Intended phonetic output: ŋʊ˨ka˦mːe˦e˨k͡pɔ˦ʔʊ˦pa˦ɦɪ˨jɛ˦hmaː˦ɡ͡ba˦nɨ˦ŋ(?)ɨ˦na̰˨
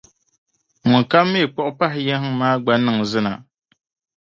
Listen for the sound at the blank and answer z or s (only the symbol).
z